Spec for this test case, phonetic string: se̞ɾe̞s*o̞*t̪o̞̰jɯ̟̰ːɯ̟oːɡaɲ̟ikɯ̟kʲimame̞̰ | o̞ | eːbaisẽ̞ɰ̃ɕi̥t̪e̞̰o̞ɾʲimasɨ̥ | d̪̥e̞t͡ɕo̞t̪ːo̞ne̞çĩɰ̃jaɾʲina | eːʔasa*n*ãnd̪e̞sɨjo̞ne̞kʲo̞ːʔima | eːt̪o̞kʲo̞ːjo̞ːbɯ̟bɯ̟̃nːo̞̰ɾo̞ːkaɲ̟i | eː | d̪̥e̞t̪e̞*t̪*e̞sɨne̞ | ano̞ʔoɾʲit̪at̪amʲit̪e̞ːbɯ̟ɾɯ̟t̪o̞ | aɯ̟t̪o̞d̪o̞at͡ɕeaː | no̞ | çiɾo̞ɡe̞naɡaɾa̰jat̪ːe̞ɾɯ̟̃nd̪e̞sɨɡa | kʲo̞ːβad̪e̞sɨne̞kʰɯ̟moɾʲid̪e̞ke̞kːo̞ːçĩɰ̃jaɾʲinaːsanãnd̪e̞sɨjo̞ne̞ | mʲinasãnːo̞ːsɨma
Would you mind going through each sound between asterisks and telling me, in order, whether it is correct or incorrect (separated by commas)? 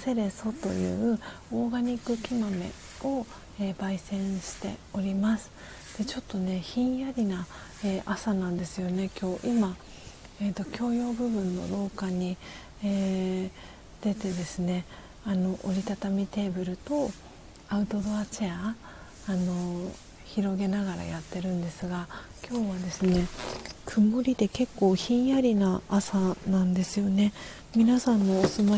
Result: correct, correct, incorrect